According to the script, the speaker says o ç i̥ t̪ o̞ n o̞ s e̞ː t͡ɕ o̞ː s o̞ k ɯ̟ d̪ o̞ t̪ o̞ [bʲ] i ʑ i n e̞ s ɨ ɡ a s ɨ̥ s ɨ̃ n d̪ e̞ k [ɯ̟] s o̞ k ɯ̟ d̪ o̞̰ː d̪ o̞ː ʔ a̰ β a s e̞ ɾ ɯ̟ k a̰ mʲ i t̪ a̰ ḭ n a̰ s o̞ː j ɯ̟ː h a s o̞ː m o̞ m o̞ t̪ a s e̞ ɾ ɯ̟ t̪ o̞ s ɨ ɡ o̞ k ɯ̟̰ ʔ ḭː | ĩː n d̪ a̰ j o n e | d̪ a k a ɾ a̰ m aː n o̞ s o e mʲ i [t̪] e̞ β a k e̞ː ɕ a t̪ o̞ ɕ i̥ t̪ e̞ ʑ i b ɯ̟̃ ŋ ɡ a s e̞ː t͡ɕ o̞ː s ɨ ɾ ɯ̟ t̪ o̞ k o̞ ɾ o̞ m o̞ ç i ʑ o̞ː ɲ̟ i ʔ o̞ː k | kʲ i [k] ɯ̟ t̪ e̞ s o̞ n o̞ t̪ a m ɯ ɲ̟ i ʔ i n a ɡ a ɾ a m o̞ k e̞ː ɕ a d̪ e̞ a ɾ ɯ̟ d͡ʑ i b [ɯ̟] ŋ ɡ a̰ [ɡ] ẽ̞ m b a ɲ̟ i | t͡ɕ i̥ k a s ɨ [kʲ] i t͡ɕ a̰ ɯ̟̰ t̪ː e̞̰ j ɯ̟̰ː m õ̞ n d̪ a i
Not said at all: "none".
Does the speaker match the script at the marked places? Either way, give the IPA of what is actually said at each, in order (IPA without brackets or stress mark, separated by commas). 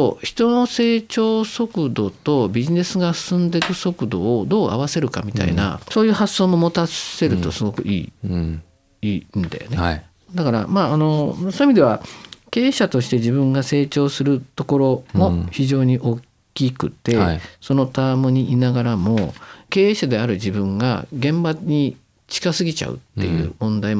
bʲ, ɯ̟, d̪, k, ɯ̟̃, ɡ, ɡʲ